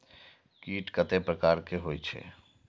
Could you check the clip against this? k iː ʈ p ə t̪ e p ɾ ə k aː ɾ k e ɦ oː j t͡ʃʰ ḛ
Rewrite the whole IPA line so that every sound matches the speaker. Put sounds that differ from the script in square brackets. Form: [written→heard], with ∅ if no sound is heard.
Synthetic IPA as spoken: k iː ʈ [p→k] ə t̪ e p ɾ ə k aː ɾ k e ɦ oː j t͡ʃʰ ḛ